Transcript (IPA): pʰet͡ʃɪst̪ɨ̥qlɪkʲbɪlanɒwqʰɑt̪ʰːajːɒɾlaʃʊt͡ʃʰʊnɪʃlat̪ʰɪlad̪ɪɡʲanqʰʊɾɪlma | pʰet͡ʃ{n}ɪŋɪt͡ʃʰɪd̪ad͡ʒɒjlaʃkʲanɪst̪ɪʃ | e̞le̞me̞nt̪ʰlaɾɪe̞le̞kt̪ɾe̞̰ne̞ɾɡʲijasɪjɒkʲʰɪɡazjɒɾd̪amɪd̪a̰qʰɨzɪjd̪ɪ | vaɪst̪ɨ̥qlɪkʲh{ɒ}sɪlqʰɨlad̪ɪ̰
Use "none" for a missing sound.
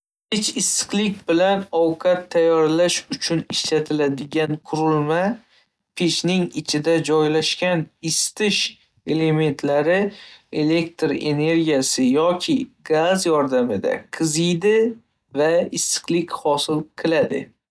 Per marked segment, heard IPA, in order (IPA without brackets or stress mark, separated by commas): n, ɒ